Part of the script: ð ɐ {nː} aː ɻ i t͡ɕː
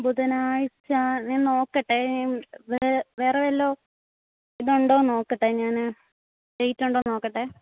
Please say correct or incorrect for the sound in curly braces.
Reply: incorrect